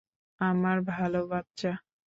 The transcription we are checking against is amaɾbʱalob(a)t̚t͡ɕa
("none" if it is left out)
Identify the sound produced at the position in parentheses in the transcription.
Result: a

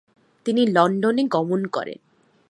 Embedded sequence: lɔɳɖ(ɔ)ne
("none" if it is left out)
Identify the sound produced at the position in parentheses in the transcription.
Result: o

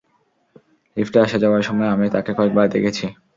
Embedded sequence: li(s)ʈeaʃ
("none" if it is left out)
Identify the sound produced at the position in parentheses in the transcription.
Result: f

